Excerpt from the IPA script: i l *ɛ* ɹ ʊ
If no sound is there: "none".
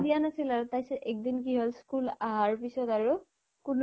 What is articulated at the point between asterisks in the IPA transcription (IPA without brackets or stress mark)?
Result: a